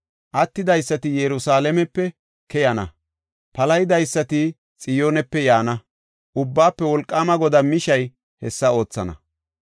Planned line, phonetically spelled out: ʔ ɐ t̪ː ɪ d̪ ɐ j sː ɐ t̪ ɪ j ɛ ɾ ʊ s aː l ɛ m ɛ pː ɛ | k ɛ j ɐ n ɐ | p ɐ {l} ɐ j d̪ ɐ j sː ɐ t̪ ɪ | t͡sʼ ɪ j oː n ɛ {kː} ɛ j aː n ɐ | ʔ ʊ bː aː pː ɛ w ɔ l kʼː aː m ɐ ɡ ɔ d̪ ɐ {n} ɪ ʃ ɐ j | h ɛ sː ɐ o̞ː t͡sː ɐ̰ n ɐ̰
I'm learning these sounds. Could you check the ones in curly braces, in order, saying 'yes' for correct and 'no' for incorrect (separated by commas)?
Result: yes, no, no